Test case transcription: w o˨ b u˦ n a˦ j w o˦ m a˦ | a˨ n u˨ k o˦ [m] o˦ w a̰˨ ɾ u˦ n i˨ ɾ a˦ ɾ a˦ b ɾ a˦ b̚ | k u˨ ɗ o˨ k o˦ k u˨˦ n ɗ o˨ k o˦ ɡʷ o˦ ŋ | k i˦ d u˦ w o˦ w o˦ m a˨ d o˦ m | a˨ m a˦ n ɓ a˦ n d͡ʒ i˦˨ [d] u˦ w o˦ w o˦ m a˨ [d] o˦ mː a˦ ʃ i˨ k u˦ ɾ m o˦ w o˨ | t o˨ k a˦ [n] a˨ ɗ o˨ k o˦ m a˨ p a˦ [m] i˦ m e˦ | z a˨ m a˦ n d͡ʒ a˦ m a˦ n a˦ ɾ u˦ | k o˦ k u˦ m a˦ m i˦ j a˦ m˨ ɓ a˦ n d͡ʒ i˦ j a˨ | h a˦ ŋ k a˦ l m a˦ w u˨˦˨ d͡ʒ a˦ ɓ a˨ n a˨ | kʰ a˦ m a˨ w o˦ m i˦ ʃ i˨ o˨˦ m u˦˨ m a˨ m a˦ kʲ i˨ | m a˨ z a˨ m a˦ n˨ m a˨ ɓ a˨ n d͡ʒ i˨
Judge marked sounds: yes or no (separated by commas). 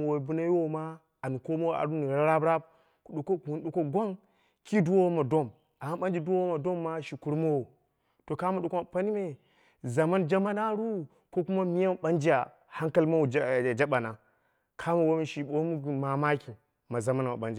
yes, yes, yes, no, no